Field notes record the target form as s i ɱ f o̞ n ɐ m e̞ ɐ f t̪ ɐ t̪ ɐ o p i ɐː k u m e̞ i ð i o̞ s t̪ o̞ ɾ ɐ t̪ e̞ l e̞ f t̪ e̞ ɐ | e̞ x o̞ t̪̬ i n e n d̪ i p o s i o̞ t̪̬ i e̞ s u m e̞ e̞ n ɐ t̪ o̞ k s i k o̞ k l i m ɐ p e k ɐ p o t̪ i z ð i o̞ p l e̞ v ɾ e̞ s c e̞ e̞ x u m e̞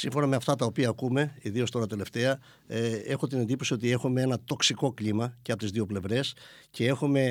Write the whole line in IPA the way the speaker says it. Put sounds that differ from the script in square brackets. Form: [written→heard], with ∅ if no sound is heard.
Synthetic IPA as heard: s i ɱ f o̞ n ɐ m e̞ ɐ f t̪ ɐ t̪ ɐ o p i ɐː k u m e̞ i ð i o̞ s t̪ o̞ ɾ ɐ t̪ e̞ l e̞ f t̪ e̞ ɐ | e̞ x o̞ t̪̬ i n e n d̪ i p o s i o̞ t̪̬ i e̞ [s→x] u m e̞ e̞ n ɐ t̪ o̞ k s i k o̞ k l i m ɐ [p→c] e [k→∅] ɐ p o t̪ i z ð i o̞ p l e̞ v ɾ e̞ s c e̞ e̞ x u m e̞